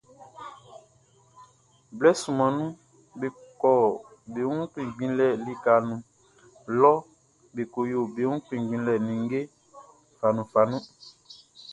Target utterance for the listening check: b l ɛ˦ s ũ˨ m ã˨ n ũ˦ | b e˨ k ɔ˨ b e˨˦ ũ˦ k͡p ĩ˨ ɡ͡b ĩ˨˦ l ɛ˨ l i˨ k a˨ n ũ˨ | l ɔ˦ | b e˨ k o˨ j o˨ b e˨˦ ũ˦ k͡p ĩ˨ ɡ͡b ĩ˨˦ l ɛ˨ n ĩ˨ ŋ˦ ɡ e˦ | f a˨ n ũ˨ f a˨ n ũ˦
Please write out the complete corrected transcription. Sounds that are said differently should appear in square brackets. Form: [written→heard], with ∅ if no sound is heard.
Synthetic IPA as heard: b l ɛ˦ s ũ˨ m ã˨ n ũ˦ | b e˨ k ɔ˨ b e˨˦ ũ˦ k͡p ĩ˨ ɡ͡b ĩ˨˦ l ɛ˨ l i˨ k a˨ n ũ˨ | l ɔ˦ | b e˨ k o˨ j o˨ b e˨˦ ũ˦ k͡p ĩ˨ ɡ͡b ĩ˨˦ l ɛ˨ n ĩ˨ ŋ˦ ɡ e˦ | f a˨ n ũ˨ f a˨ n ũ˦